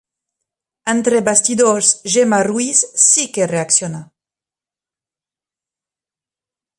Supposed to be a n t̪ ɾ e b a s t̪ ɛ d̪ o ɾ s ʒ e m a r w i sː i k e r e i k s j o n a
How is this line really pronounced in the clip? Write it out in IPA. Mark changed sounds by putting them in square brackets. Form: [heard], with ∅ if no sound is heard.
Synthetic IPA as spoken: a n t̪ ɾ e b a s t̪ [i] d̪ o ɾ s ʒ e m a r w i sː i k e r e [a] k s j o n a